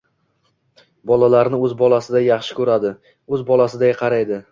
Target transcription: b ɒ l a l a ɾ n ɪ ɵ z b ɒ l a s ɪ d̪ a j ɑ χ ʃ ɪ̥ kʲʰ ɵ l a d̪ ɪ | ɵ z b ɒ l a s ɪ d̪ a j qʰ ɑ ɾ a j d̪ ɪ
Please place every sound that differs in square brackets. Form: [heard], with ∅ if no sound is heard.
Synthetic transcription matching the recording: b ɒ l a l a ɾ n ɪ ɵ z b ɒ l a s ɪ d̪ a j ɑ χ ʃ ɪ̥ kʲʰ ɵ [ɾ] a d̪ ɪ | ɵ z b ɒ l a s ɪ d̪ a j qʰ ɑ ɾ a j d̪ ɪ